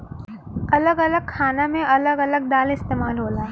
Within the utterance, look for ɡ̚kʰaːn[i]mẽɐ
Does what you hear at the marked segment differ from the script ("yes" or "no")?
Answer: yes